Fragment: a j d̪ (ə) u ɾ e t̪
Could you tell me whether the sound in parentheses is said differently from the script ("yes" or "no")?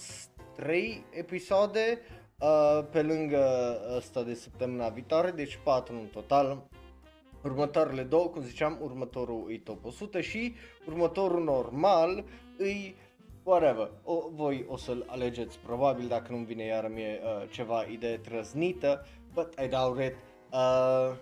yes